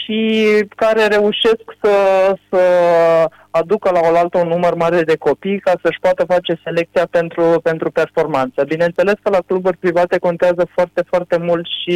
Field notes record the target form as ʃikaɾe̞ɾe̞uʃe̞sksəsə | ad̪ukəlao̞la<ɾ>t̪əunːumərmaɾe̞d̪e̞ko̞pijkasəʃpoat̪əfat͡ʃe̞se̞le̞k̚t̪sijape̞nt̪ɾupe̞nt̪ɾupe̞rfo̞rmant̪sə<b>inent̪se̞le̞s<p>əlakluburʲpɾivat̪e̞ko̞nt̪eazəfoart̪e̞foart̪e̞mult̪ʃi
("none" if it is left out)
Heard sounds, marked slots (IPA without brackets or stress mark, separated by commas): l, b, k